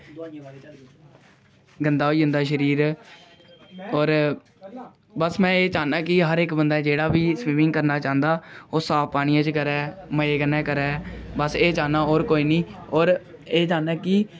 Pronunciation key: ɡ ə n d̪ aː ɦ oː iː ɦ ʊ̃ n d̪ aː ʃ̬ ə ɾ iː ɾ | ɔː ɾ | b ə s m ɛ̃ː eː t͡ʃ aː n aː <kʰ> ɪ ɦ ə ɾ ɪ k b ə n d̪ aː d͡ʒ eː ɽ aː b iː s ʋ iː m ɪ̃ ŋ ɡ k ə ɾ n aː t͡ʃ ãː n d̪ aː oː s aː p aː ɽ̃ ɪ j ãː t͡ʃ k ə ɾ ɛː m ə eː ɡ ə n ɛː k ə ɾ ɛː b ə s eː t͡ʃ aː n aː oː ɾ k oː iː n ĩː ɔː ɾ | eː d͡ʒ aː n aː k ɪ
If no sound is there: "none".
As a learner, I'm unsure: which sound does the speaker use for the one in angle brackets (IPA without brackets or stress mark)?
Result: k